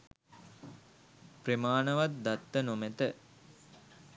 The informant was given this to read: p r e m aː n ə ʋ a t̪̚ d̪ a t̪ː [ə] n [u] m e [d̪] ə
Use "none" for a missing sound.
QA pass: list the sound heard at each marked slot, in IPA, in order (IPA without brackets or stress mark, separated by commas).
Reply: ə, o, t̪